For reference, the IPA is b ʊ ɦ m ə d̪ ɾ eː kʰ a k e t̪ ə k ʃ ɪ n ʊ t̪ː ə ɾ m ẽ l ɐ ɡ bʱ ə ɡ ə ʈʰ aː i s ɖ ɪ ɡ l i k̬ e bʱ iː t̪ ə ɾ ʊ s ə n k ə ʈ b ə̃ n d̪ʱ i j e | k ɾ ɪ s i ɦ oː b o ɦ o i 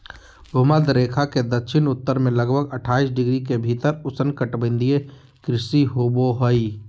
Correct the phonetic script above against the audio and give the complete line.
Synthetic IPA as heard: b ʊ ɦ m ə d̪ ɾ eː kʰ a k e d̪ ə k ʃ ɪ n ʊ t̪ː ə ɾ m ẽ l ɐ ɡ bʱ ə ɡ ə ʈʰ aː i s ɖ ɪ ɡ ɾ i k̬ e bʱ iː t̪ ə ɾ ʊ s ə n k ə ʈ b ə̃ n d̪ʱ i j e | k ɾ ɪ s i ɦ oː b o ɦ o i